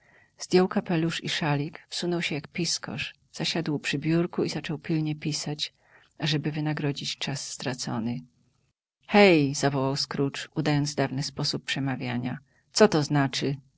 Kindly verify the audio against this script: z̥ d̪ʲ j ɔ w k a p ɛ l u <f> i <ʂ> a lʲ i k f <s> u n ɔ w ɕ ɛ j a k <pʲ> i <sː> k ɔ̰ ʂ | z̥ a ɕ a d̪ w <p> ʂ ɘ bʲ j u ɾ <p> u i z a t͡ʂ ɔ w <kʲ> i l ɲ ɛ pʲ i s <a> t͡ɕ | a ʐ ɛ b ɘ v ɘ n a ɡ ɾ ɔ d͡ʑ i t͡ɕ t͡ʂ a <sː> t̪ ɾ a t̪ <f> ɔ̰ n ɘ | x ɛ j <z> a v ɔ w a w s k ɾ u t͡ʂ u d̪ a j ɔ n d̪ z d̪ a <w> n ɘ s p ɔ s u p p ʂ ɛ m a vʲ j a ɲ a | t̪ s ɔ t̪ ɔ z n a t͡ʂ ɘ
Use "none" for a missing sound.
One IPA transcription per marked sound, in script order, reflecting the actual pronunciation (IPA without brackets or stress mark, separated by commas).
ʂ, ʂ, s, pʲ, s, p, k, pʲ, a, sː, s, z, v